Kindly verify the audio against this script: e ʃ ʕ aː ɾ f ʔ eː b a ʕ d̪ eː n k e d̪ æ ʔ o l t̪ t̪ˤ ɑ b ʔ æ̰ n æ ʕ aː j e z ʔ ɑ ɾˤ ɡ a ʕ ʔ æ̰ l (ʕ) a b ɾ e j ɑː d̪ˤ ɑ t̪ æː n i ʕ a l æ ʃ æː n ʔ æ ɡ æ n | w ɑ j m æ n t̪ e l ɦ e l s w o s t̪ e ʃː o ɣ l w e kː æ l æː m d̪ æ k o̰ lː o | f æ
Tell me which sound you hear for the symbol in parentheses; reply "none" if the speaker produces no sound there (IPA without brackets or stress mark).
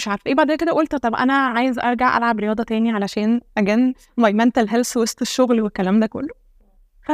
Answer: ʕ